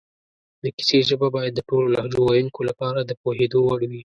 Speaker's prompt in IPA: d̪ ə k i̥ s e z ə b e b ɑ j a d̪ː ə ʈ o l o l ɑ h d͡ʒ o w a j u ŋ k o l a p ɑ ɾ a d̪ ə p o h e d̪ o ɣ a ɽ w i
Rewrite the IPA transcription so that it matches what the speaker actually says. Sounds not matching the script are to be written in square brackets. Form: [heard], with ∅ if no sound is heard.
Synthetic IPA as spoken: d̪ ə k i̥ s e [ʒ] ə b [a] b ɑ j a d̪ː ə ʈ o l o l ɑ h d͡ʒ o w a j u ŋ k o l a p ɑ ɾ a d̪ ə p o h e d̪ o [w] a ɽ w i